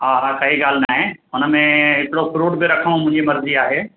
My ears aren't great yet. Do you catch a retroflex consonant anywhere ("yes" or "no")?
yes